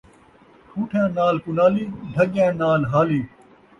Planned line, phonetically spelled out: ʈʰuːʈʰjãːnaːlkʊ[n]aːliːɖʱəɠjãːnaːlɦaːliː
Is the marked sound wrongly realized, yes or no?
no